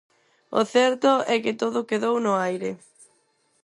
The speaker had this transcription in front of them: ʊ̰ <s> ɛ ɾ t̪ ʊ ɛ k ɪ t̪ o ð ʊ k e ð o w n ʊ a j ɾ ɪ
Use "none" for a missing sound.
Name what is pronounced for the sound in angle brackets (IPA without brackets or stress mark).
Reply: θ